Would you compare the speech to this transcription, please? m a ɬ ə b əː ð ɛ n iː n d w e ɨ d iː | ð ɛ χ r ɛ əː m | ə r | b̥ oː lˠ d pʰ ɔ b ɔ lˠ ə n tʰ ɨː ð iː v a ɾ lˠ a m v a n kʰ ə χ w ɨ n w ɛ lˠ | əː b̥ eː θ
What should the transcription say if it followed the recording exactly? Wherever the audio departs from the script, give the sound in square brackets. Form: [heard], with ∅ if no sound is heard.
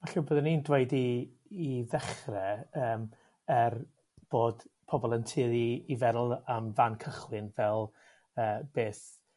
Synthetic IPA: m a ɬ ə b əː ð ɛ n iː n d w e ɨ d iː | ð ɛ χ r ɛ əː m | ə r | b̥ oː [∅] d pʰ ɔ b ɔ lˠ ə n tʰ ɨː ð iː v [ɛ] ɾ lˠ a m v a n kʰ ə χ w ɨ n [v] ɛ lˠ | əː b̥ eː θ